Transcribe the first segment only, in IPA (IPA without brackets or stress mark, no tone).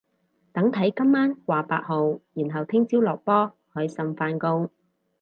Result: t̪